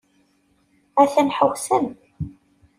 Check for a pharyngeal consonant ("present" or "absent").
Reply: present